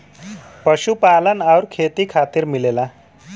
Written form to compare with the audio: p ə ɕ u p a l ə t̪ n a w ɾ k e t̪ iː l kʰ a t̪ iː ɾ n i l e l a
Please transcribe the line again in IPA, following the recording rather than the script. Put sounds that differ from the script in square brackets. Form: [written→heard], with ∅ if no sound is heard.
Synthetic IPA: p ə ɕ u p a l ə [t̪→∅] n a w ɾ [k→kʰ] e t̪ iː [l→∅] kʰ a t̪ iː ɾ [n→m] i l e l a